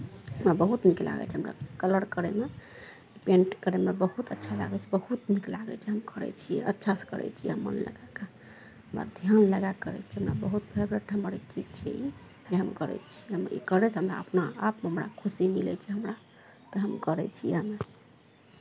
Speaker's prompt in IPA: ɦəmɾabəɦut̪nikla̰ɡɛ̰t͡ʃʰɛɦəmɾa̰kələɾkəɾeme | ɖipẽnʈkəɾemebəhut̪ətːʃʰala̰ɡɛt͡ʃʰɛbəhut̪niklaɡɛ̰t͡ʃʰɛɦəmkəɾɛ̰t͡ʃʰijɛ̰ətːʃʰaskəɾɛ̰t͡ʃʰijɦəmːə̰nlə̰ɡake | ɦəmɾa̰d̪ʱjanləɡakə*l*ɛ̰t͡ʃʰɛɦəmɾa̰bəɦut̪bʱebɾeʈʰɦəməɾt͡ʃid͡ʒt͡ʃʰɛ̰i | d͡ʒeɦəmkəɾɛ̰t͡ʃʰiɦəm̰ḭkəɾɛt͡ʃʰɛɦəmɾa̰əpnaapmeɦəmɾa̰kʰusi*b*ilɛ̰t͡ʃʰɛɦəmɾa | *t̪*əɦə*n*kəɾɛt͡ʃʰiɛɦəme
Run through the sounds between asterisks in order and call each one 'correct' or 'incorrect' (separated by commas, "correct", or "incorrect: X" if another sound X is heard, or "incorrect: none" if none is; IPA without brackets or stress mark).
incorrect: ɾ, incorrect: m, correct, incorrect: m